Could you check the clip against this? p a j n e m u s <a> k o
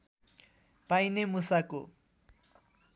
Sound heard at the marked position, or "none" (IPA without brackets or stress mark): a